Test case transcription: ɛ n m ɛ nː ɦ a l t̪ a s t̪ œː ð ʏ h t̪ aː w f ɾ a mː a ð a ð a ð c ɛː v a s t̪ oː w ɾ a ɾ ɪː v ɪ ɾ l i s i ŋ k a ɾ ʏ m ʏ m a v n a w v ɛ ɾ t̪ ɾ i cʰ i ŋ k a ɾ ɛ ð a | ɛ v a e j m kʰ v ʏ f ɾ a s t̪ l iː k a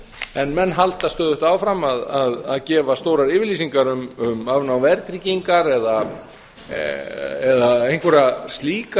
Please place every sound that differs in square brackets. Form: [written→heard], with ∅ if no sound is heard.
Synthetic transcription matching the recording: ɛ n m ɛ nː ɦ a l t̪ a s t̪ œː ð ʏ h t̪ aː w f ɾ a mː a ð a ð a ð c ɛː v a s t̪ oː w ɾ a ɾ ɪː v ɪ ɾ l i s i ŋ k a ɾ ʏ m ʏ m a v n a w v ɛ ɾ t̪ ɾ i [cʰ→c] i ŋ k a ɾ ɛ ð a | ɛ [v→ð] a e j [m→ŋ] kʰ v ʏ [f→∅] ɾ a s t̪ l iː k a